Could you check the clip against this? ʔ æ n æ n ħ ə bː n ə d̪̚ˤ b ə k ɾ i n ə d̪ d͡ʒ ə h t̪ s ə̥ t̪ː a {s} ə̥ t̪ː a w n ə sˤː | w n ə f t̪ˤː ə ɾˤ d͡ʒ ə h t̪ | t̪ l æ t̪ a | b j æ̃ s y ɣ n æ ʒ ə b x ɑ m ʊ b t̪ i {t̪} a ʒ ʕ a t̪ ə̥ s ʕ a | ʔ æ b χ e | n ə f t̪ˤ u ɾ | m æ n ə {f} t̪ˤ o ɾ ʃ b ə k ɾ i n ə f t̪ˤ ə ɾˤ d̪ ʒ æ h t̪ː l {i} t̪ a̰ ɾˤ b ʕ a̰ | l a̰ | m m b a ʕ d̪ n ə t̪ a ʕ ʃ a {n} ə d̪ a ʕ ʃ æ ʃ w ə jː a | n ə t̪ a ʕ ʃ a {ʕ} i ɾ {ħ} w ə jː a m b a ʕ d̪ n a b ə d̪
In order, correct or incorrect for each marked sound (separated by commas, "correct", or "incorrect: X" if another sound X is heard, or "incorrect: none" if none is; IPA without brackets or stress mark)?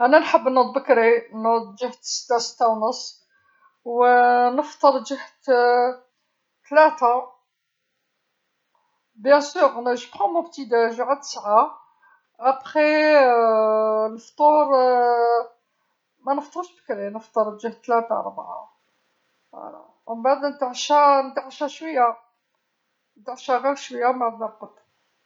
correct, incorrect: d̪, correct, incorrect: æ, correct, incorrect: ɣ, incorrect: ʃ